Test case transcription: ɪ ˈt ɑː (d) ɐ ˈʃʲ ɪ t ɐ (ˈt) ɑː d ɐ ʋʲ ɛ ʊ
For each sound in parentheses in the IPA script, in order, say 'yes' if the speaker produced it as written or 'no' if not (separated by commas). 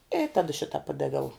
yes, no